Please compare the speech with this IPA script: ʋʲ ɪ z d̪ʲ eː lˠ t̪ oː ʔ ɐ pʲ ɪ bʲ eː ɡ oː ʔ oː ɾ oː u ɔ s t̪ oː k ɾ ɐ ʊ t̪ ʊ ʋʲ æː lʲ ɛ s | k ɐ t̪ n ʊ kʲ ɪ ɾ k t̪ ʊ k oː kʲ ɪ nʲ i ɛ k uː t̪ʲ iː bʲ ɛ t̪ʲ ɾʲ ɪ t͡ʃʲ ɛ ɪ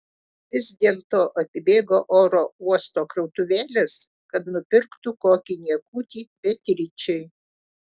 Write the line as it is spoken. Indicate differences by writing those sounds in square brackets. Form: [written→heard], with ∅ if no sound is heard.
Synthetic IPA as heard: ʋʲ ɪ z d̪ʲ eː lˠ t̪ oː ʔ ɐ pʲ ɪ bʲ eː ɡ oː ʔ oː ɾ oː u ɔ s t̪ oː k ɾ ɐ ʊ t̪ ʊ ʋʲ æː lʲ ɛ s | k ɐ t̪ n ʊ [kʲ→pʲ] ɪ ɾ k t̪ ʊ k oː kʲ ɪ nʲ i ɛ k uː t̪ʲ iː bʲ ɛ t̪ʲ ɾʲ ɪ t͡ʃʲ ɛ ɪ